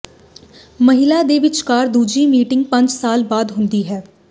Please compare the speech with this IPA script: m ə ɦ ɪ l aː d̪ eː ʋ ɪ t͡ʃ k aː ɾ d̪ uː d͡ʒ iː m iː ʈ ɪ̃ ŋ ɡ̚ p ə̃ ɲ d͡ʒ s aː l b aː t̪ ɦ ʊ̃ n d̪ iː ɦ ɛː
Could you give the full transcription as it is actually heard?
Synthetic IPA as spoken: m ə ɦ ɪ l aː d̪ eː ʋ ɪ t͡ʃ k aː ɾ d̪ uː d͡ʒ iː m iː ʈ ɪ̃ ŋ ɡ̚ p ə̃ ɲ d͡ʒ s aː l b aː d̪ ɦ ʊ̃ n d̪ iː ɦ ɛː